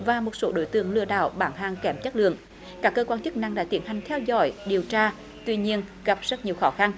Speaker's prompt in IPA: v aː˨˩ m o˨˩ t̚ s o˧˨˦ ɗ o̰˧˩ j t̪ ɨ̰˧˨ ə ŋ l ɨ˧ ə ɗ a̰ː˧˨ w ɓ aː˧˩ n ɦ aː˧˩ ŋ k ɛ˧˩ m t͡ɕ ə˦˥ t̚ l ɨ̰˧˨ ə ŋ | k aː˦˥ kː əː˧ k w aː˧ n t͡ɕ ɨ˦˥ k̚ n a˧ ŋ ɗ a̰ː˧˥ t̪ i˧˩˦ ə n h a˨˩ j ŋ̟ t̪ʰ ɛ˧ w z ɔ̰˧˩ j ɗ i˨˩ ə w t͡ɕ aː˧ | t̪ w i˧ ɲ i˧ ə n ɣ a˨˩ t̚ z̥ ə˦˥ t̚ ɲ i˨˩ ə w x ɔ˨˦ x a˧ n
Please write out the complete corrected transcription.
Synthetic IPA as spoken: v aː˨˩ m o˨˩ t̚ s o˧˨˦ ɗ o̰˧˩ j t̪ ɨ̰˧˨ ə ŋ l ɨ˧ ə ɗ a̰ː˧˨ w ɓ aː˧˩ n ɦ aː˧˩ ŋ k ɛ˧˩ m t͡ɕ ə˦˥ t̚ l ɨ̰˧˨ ə ŋ | k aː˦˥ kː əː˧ k w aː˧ n t͡ɕ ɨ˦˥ k̚ n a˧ ŋ ɗ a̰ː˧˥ t̪ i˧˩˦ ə n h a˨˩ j ŋ̟ t̪ʰ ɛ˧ w z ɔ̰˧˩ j ɗ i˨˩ ə w t͡ɕ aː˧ | t̪ w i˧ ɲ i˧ ə n ɣ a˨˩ p̚ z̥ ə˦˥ t̚ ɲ i˨˩ ə w x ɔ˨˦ x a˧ n

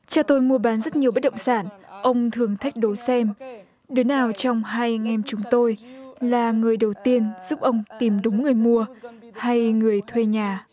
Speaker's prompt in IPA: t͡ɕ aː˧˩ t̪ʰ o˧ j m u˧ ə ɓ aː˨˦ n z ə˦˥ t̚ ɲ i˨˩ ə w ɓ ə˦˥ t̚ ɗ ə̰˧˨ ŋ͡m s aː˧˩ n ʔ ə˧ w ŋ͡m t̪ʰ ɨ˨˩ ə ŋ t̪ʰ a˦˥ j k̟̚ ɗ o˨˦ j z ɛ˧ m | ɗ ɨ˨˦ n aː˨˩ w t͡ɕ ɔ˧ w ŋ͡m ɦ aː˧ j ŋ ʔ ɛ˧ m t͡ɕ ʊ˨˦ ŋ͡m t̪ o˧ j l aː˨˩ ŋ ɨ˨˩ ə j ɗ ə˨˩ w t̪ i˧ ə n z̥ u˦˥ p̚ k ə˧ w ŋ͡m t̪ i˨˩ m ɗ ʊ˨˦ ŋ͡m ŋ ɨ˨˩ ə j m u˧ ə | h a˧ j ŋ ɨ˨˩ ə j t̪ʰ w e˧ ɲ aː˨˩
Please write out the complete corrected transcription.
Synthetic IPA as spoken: t͡ɕ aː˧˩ t̪ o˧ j m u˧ ə ɓ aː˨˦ n z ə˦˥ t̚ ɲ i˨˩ ə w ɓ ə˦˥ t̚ ɗ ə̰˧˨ ŋ͡m s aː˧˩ n ʔ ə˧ w ŋ͡m t̪ʰ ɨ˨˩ ə ŋ t̪ʰ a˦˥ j k̟̚ ɗ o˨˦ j s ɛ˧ m | ɗ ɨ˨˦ n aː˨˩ w t͡ɕ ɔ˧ w ŋ͡m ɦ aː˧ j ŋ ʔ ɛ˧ m t͡ɕ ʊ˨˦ ŋ͡m t̪ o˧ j l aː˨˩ ŋ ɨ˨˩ ə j ɗ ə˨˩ w t̪ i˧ ə n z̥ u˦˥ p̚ ʔ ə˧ w ŋ͡m t̪ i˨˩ m ɗ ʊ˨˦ ŋ͡m ŋ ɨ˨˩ ə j m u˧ ə | h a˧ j ŋ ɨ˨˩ ə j t̪ʰ w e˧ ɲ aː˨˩

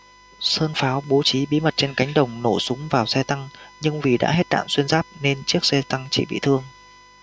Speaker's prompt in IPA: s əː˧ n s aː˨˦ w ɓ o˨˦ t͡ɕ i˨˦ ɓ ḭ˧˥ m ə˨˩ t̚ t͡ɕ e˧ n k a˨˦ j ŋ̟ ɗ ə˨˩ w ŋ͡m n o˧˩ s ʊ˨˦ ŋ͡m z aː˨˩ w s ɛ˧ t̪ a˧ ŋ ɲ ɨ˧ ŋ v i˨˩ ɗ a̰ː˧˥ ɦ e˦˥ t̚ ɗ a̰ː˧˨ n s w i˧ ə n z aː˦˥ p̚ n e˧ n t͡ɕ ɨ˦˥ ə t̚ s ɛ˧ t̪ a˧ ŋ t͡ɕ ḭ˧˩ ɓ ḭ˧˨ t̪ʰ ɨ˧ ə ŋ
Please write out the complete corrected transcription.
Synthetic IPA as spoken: s əː˧ n f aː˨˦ w ɓ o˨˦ t͡ɕ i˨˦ ɓ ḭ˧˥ m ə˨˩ t̚ t͡ɕ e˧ n k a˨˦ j ŋ̟ ɗ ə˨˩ w ŋ͡m n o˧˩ s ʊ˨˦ ŋ͡m v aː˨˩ w s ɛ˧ t̪ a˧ ŋ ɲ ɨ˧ ŋ v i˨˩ ɗ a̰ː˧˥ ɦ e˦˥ t̚ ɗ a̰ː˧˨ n s w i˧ ə n z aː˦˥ p̚ n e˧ n t͡ɕ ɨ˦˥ ə k̚ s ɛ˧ t̪ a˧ ŋ t͡ɕ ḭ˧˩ ɓ ḭ˧˨ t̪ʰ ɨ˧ ə ŋ

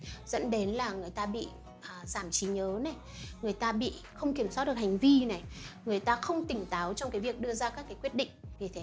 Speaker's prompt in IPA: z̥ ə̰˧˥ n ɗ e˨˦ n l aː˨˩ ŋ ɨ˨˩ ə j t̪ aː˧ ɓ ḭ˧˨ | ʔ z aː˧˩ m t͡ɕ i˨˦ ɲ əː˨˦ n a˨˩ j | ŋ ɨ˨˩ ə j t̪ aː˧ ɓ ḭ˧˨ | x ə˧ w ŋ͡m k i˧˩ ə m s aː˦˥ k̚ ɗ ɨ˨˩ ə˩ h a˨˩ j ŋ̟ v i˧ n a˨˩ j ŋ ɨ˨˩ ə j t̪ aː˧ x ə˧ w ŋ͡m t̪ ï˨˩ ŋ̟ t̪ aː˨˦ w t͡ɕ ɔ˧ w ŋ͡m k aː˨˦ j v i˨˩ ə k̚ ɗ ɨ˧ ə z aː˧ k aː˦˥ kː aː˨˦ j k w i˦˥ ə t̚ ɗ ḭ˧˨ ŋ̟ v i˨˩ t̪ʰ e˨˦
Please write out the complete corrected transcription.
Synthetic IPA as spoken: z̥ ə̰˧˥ n ɗ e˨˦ n l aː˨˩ ŋ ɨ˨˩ ə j t̪ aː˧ ɓ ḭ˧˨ | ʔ z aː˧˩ m t͡ɕ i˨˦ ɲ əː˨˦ n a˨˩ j | ŋ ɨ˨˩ ə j t̪ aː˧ ɓ ḭ˧˨ | x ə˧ w ŋ͡m k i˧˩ ə m s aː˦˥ t̚ ɗ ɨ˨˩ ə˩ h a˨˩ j ŋ̟ v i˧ n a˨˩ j ŋ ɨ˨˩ ə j t̪ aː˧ x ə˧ w ŋ͡m t̪ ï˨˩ ŋ̟ t̪ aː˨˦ w t͡ɕ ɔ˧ w ŋ͡m k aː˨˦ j v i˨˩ ə k̚ ɗ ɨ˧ ə z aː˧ k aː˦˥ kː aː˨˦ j k w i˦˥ ə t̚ ɗ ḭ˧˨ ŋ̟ v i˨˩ t̪ʰ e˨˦

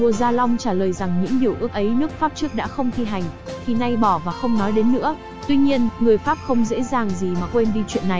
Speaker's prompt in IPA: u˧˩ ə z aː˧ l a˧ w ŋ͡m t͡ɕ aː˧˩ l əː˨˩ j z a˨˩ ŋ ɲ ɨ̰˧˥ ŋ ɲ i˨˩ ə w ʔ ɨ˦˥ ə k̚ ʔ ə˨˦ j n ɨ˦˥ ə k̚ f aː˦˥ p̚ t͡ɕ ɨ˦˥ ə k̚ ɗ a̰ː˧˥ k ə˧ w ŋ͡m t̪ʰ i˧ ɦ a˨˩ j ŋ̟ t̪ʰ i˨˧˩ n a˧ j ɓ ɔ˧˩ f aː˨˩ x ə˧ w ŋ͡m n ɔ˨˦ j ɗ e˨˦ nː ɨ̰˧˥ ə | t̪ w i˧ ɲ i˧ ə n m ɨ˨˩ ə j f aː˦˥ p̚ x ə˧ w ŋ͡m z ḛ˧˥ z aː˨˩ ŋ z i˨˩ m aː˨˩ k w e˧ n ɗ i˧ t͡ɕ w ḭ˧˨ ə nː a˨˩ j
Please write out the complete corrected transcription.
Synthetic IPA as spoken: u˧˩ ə z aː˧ l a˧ w ŋ͡m t͡ɕ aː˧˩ l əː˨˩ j z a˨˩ ŋ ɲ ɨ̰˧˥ ŋ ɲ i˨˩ ə w ʔ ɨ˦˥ ə k̚ ʔ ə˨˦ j n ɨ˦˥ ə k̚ f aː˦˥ p̚ t͡ɕ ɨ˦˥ ə k̚ ɗ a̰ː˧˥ x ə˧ w ŋ͡m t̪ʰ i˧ ɦ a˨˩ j ŋ̟ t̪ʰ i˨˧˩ n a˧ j ɓ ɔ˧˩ v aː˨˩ x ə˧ w ŋ͡m n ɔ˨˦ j ɗ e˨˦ nː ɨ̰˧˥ ə | t̪ w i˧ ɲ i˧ ə n ŋ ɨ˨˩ ə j f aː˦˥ p̚ x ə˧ w ŋ͡m z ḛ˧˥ z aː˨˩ ŋ z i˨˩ m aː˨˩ k w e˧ n ɗ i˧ t͡ɕ w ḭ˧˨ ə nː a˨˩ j

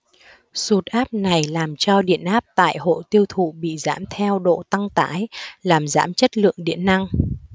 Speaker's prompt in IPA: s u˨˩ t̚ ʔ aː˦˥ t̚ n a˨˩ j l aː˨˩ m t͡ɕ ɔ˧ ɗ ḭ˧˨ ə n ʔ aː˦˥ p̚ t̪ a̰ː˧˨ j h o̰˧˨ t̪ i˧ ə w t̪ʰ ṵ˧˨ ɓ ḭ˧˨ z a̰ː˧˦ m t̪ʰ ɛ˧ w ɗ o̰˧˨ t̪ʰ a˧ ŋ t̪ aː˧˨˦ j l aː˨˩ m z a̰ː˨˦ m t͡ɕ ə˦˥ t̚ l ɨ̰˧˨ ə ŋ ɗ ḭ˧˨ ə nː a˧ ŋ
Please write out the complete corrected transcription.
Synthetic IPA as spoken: s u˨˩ t̚ ʔ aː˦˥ p̚ n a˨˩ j l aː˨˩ m t͡ɕ ɔ˧ ɗ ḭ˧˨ ə n ʔ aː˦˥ p̚ t̪ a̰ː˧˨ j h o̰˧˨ t̪ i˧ ə w t̪ʰ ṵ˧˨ ɓ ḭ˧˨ z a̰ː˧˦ m t̪ʰ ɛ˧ w ɗ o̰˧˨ t̪ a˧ ŋ t̪ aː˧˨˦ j l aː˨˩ m z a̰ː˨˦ m t͡ɕ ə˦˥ t̚ l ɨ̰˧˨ ə ŋ ɗ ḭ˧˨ ə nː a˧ ŋ

